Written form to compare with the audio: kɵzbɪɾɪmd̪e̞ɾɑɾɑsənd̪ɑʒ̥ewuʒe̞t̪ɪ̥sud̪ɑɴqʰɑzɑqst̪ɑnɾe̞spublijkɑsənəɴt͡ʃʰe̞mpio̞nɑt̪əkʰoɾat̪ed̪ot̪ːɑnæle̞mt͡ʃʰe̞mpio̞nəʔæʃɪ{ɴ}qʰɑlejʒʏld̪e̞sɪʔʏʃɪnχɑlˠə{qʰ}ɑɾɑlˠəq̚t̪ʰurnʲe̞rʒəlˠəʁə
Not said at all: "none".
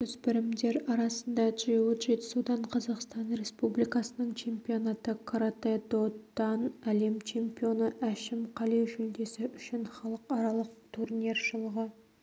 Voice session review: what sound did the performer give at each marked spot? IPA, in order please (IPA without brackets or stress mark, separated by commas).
m, q